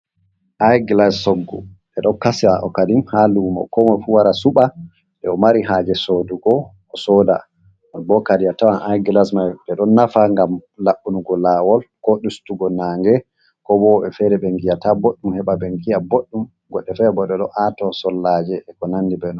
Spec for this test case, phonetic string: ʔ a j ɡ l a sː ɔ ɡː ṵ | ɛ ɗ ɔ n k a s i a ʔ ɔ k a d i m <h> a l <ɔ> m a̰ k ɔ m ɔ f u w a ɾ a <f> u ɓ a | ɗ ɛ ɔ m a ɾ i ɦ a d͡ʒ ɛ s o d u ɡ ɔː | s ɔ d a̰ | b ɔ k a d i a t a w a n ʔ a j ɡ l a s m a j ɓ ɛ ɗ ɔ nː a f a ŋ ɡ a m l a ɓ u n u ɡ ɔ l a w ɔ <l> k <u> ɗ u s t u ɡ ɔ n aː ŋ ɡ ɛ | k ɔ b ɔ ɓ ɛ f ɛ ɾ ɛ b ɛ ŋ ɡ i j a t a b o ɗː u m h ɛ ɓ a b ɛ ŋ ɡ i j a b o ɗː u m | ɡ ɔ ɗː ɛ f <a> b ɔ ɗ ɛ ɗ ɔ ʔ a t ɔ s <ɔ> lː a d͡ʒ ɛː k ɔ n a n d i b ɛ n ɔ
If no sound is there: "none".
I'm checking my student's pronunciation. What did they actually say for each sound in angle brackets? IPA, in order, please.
h, u, s, l, ɔ, ɛ, ɔ

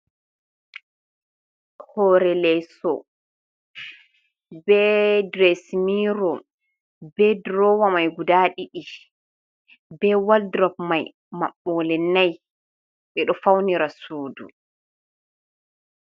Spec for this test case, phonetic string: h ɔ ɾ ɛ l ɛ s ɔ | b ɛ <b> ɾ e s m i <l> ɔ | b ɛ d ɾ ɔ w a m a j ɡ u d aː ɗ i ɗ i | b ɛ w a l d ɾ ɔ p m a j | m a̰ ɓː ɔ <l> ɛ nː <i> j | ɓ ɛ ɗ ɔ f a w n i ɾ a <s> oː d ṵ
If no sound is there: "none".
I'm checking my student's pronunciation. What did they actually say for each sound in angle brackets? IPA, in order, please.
d, ɾ, l, a, s

